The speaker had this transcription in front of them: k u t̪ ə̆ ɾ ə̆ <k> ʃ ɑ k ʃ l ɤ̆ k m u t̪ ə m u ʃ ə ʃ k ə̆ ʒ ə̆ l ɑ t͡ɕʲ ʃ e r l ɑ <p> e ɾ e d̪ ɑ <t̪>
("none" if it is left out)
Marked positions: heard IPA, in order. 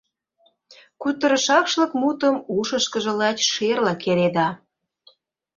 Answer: none, k, none

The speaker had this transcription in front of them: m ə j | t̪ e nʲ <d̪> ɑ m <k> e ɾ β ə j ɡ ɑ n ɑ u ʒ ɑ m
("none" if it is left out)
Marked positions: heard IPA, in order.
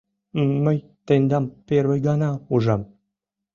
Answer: d̪, p

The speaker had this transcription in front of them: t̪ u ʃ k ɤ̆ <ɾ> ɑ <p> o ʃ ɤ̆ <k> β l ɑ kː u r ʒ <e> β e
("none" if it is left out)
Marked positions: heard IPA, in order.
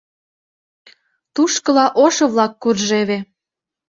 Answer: l, ʔ, none, e

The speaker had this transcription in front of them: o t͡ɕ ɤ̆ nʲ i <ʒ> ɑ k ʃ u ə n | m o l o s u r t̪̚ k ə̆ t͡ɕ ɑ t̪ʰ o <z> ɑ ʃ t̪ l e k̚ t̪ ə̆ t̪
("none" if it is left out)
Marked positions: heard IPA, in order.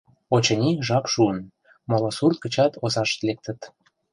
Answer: ʒ, z

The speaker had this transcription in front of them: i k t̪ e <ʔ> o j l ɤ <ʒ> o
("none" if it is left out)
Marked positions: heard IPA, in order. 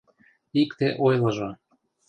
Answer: ʔ, ʒ

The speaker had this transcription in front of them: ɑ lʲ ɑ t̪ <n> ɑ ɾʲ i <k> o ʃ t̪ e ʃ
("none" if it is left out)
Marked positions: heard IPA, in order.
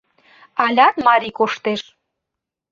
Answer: m, k

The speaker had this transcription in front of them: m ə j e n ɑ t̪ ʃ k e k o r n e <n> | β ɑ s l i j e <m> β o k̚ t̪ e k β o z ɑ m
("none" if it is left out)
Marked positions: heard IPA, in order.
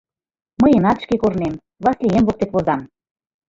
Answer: m, m

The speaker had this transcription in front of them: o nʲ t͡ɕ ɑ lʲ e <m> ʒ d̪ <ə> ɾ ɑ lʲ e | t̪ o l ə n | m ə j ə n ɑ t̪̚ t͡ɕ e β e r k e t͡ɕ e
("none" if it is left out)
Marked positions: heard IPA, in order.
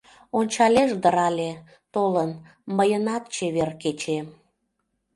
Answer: none, ə

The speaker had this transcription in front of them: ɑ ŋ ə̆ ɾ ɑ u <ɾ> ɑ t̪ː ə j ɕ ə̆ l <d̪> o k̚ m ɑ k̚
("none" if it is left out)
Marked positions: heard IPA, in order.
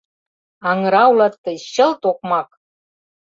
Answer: l, t̪

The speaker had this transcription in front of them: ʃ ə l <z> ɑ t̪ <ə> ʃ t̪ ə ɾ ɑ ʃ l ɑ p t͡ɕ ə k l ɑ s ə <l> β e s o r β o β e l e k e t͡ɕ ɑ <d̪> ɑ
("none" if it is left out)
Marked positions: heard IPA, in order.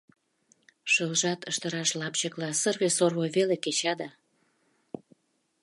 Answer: ʒ, ə, r, d̪

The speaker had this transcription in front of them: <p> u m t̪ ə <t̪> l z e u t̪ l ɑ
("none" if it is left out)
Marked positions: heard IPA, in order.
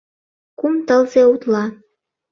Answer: k, none

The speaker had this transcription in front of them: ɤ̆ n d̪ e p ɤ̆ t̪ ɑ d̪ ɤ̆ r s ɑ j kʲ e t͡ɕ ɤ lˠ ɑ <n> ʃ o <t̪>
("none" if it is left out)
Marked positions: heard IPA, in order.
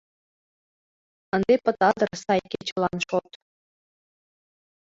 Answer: n, t̪

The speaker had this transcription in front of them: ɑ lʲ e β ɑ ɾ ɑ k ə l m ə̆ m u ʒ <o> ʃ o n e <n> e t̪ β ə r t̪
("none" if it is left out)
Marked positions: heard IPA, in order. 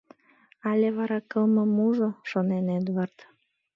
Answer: o, n

